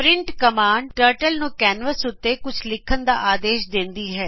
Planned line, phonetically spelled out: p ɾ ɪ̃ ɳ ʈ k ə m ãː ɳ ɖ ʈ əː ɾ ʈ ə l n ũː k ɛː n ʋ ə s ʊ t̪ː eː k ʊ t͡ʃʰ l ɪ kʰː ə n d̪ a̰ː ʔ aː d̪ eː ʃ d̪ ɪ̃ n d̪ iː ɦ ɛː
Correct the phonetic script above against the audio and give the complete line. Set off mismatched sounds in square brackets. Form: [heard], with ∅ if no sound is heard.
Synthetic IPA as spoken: p ɾ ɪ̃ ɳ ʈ k ə m [aː] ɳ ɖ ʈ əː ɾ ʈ ə l n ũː k ɛː n ʋ ə s ʊ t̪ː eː k ʊ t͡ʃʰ l ɪ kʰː ə n d̪ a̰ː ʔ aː d̪ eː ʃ d̪ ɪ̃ n d̪ iː ɦ ɛː